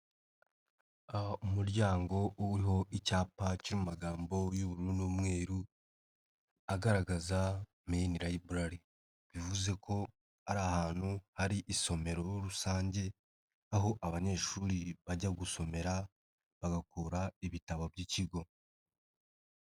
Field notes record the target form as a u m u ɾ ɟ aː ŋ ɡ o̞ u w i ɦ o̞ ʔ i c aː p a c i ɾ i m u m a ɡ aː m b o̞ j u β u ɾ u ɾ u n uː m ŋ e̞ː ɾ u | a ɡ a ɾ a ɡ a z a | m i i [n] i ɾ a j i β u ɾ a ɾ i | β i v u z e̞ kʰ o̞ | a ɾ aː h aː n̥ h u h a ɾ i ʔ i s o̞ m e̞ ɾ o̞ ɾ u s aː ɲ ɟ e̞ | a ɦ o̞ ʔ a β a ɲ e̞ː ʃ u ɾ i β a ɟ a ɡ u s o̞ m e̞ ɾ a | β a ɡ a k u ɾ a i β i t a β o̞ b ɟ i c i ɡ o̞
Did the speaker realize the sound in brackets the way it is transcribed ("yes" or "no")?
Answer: yes